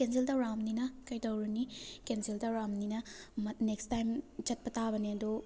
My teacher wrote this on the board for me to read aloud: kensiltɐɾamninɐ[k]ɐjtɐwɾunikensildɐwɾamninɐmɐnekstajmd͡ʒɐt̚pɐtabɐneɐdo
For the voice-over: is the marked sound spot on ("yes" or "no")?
yes